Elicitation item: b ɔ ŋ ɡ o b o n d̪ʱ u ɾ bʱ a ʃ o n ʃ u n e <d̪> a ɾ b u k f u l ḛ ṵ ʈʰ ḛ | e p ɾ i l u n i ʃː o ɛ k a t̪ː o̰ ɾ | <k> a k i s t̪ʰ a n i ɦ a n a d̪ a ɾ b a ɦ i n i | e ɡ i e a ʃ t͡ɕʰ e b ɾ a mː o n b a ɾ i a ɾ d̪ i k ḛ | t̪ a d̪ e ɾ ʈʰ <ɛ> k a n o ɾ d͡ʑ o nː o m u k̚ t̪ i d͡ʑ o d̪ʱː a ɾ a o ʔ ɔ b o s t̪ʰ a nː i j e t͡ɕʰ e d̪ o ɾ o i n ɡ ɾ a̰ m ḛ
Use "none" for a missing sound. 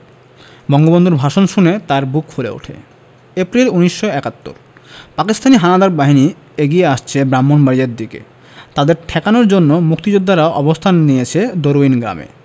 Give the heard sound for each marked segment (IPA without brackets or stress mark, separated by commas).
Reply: t̪, p, ɛ